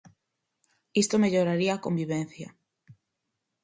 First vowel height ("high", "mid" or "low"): high